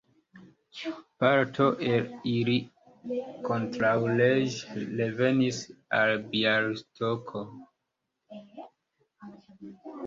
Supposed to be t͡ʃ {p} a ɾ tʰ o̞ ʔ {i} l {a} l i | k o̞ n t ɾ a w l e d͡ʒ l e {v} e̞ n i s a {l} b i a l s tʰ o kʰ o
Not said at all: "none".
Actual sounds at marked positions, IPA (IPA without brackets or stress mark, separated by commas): p, e, i, v, l